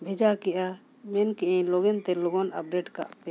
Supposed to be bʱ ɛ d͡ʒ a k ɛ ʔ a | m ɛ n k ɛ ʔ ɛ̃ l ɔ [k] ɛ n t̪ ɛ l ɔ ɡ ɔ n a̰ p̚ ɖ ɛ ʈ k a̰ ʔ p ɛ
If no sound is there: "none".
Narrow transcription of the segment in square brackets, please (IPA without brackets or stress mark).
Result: ɡ